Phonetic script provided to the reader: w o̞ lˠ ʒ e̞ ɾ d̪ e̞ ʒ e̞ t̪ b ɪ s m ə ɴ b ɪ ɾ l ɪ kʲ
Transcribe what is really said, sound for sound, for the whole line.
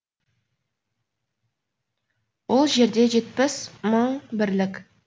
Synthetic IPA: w o̞ lˠ ʒ e̞ ɾ d̪ e̞ ʒ e̞ t̪ p ɪ s m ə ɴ b ɪ ɾ l ɪ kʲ

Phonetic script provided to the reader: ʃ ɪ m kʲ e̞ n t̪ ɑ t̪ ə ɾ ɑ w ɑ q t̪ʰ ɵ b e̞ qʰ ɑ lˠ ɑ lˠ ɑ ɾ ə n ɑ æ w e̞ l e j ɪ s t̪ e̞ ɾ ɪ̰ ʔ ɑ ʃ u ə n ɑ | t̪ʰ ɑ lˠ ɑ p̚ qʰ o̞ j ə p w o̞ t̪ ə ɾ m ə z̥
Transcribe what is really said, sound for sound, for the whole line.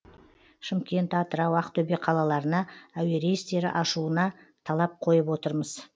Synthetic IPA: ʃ ɪ m kʲ e̞ n t̪ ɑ t̪ ə ɾ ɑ w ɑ q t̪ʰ ɵ b e̞ qʰ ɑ lˠ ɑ lˠ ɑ ɾ ə n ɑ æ w e̞ ɾ e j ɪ s t̪ e̞ ɾ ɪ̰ ʔ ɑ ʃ u ə n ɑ | t̪ʰ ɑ lˠ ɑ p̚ qʰ o̞ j ə p w o̞ t̪ ə ɾ m ə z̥

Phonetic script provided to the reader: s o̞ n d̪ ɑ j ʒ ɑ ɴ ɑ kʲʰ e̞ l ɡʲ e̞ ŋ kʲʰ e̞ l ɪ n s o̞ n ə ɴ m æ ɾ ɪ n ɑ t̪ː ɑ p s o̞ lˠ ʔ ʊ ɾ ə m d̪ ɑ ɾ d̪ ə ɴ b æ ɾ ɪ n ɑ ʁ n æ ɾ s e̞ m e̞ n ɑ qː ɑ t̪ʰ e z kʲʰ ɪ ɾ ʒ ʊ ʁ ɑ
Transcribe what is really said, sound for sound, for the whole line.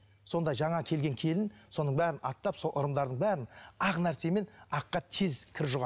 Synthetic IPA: s o̞ n d̪ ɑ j ʒ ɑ ɴ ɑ kʲʰ e̞ l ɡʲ e̞ ŋ kʲʰ e̞ l ɪ n s o̞ n ə ɴ b æ ɾ ɪ n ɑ t̪ː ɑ p s o̞ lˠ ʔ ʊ ɾ ə m d̪ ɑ ɾ d̪ ə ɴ b æ ɾ ɪ n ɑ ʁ n æ ɾ s e̞ m e̞ n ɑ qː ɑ t̪ʰ e z kʲʰ ɪ ɾ ʒ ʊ ʁ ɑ

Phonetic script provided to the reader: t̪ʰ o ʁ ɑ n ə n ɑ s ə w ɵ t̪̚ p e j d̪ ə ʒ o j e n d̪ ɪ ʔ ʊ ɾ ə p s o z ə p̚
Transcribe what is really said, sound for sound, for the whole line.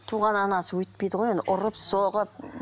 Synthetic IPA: t̪ʰ u ʁ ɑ n ɑ n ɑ s ə w ɵ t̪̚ p e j d̪ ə ʁ o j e n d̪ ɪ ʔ ʊ ɾ ə p s o ʁ ə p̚

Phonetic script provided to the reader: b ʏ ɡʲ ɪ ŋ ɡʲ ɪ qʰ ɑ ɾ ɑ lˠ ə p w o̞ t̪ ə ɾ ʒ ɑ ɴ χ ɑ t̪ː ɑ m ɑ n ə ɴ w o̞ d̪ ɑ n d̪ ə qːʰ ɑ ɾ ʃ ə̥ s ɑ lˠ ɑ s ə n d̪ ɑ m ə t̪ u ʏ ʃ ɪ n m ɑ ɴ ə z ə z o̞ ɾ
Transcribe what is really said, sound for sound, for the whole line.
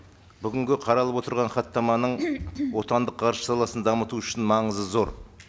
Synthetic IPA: b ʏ ɡʲ ɪ ŋ ɡʲ ɪ qʰ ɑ ɾ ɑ lˠ ə p w o̞ t̪ ə ɾ ʁ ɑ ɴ χ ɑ t̪ː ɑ m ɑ n ə ɴ w o̞ t̪ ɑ n d̪ ə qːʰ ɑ ɾ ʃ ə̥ s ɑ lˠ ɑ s ə n d̪ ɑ m ə t̪ u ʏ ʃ ɪ n m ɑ ɴ ə z ə z o̞ ɾ

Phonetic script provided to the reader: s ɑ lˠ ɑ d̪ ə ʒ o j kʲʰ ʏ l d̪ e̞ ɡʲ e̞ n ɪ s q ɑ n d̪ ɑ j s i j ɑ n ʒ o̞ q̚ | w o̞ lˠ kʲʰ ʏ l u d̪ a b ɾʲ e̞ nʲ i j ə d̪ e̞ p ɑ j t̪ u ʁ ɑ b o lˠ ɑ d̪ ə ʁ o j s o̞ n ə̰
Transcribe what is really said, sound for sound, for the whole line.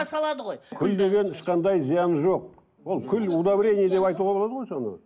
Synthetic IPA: s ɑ lˠ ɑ d̪ ə ʁ o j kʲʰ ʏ l d̪ e̞ ɡʲ e̞ n ɪ ʃ q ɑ n d̪ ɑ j z i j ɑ n ʒ o̞ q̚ | w o̞ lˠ kʲʰ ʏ l u d̪ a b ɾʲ e̞ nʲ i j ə d̪ e̞ p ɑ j t̪ u ʁ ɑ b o lˠ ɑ d̪ ə ʁ o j s o̞ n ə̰

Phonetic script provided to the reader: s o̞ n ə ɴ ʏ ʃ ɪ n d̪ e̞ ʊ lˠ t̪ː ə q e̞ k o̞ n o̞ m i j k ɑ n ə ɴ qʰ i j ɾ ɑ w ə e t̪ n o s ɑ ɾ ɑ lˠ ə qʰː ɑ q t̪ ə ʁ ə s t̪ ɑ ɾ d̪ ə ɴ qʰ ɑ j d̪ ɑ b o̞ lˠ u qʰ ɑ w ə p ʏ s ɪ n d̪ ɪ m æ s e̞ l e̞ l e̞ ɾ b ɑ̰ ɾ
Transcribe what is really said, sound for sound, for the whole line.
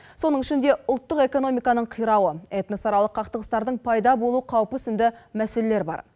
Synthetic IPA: s o̞ n ə ɴ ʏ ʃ ɪ n d̪ e̞ ʊ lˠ t̪ː ə q e̞ k o̞ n o̞ m i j k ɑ n ə ɴ qʰ i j ɾ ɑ w ə e t̪ n o s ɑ ɾ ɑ lˠ ə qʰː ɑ q t̪ ə ʁ ə s t̪ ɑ ɾ d̪ ə ɴ pʰ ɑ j d̪ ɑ b o̞ lˠ u qʰ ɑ w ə p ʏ s ɪ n d̪ ɪ m æ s e̞ l e̞ l e̞ ɾ b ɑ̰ ɾ

